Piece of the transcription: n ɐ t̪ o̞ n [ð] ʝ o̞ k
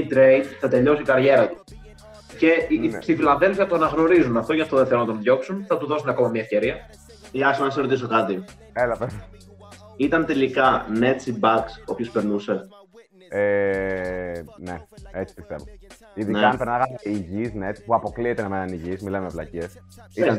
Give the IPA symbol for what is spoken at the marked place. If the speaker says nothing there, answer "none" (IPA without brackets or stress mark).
ð